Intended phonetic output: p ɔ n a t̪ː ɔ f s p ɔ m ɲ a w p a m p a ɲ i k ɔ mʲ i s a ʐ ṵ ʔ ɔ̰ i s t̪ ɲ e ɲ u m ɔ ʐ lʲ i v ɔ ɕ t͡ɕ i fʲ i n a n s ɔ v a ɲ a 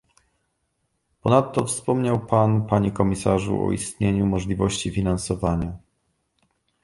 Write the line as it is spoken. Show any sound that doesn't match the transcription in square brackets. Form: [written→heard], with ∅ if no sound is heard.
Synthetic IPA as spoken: p ɔ n a t̪ː ɔ f s p ɔ m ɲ a w p a [m→n] p a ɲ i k ɔ mʲ i s a ʐ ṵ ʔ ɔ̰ i s t̪ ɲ e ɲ u m ɔ ʐ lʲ i v ɔ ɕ t͡ɕ i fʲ i n a n s ɔ v a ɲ a